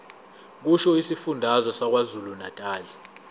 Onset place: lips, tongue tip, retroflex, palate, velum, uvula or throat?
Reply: velum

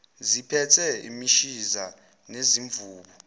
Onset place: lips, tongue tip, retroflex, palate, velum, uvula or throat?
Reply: tongue tip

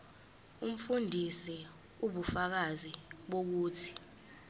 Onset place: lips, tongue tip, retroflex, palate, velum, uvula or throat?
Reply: lips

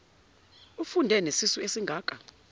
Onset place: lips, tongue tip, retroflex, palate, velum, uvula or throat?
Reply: lips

